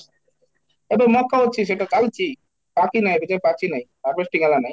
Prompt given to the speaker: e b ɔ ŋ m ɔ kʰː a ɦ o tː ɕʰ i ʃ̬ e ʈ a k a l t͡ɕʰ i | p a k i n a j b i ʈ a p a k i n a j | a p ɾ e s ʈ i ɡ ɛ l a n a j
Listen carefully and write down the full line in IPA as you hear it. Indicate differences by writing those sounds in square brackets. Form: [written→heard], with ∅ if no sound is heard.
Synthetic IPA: e b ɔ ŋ m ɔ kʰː a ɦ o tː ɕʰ i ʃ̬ e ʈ a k a l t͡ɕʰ i | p a k i n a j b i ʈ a p a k i n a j | a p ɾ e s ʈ i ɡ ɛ l a n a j